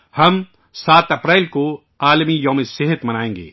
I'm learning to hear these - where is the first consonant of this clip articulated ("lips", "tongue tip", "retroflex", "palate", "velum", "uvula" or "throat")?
throat